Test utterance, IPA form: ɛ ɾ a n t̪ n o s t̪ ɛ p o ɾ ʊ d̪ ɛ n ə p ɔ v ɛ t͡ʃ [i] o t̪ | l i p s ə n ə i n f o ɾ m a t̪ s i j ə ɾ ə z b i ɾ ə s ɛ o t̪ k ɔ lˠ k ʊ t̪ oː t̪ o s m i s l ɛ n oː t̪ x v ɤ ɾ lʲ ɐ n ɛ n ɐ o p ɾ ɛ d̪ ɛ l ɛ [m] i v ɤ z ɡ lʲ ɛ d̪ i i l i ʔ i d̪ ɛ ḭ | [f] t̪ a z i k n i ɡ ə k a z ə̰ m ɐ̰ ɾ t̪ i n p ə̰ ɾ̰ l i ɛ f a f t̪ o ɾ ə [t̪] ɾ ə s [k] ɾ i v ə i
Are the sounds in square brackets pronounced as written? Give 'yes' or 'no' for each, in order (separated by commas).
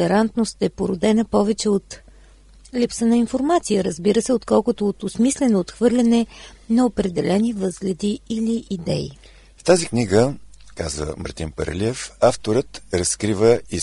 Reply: no, no, yes, yes, yes